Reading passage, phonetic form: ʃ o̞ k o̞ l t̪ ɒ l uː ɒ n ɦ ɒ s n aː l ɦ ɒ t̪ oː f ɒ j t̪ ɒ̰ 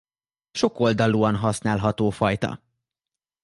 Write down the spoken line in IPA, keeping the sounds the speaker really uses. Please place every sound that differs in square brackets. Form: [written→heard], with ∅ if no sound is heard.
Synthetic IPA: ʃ o̞ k o̞ l [t̪→d̪] ɒ l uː ɒ n ɦ ɒ s n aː l ɦ ɒ t̪ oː f ɒ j t̪ ɒ̰